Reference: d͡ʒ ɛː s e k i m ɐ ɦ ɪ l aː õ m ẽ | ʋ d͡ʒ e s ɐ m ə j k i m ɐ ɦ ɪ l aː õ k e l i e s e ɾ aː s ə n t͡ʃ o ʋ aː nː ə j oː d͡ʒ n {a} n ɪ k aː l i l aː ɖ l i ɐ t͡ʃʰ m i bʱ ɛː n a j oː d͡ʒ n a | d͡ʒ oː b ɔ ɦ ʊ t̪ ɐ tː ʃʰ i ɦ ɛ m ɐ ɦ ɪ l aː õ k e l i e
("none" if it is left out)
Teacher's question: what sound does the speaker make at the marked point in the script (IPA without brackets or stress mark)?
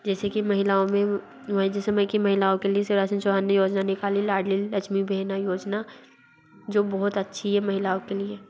a